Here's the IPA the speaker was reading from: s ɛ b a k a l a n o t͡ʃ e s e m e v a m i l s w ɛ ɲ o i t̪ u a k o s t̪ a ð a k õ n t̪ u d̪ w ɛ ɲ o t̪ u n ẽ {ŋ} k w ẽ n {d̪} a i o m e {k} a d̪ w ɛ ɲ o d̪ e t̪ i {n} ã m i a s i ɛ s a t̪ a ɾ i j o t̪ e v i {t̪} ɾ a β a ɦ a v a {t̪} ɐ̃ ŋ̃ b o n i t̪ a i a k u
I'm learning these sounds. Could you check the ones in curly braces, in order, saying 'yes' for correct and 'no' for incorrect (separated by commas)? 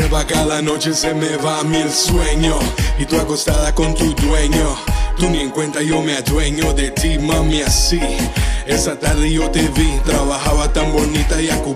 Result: yes, no, no, no, yes, yes